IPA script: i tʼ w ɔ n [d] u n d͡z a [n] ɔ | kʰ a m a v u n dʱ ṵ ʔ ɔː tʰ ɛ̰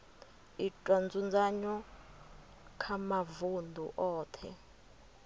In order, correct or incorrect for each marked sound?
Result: incorrect: d͡z, incorrect: ɲ

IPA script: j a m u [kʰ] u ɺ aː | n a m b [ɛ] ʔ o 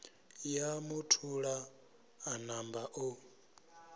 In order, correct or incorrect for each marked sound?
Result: incorrect: tʰ, incorrect: a

